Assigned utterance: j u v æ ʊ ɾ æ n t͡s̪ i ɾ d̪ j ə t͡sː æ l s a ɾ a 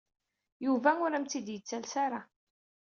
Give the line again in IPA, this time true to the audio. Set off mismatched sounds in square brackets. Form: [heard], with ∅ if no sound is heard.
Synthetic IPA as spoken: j u v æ ʊ ɾ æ [m] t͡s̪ i [∅] d̪ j ə t͡sː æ l s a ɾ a

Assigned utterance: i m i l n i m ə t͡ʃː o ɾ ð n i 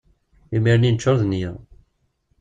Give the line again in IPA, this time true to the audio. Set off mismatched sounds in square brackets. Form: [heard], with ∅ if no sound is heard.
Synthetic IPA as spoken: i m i [ɾ] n i [n] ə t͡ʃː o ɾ ð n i

